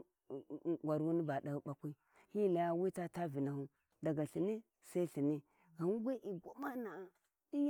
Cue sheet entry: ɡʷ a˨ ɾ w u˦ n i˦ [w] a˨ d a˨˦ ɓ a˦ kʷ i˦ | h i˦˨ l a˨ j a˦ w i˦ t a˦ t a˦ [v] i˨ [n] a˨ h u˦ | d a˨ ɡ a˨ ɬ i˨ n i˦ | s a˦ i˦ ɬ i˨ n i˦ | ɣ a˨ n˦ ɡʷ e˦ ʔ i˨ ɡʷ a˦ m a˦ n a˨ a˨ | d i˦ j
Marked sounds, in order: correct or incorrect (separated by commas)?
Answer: incorrect, correct, correct